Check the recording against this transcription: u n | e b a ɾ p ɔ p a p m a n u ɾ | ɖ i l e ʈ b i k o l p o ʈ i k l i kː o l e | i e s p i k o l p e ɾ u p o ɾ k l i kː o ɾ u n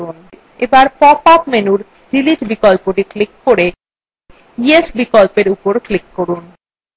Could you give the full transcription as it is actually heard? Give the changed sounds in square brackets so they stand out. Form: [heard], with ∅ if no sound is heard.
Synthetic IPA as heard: u n | e b a ɾ p ɔ p a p m [e] n u ɾ | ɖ i l [i] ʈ b i k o l p o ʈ i k l i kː o [ɾ] e | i e s [b] i k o l p e ɾ u p o ɾ k l i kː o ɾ u n